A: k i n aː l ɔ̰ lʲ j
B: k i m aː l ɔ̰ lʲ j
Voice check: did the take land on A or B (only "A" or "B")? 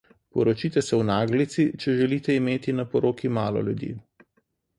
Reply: B